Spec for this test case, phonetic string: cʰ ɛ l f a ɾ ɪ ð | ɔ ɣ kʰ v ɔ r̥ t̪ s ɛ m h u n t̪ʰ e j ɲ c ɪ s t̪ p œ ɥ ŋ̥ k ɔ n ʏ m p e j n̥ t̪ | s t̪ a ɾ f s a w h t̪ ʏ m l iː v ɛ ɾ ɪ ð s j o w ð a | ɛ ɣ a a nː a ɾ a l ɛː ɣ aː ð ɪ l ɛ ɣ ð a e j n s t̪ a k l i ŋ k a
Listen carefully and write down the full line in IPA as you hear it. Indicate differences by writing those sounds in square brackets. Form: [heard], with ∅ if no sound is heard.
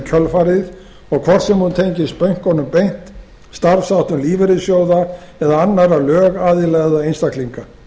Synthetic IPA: cʰ [œ] l f a ɾ ɪ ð | ɔ ɣ kʰ v ɔ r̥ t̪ s ɛ m h u n t̪ʰ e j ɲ c ɪ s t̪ p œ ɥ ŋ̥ k ɔ n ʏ m p e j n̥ t̪ | s t̪ a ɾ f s a w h t̪ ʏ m l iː v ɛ ɾ ɪ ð s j o w ð a | ɛ [ð] a a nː a ɾ a l [œː] ɣ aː ð ɪ l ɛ ɣ ð a e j n s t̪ a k l i ŋ k a